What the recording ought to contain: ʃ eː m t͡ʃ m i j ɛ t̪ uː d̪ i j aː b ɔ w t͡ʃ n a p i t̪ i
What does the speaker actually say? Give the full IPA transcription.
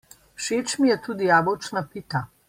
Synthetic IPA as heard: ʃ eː t͡ʃ m i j ɛ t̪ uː d̪ i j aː b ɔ w t͡ʃ n a p i t̪ a